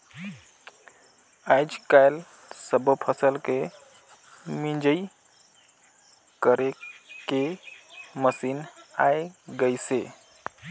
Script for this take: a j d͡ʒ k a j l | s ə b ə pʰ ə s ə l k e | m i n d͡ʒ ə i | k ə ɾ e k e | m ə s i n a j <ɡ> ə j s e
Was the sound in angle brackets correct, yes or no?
yes